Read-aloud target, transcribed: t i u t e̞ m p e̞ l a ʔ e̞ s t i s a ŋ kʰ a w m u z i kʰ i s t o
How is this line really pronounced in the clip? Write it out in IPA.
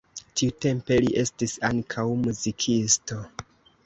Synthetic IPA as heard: t i u t e̞ m p e̞ l i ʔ e̞ s t i s a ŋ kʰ a w m u z i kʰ i s t o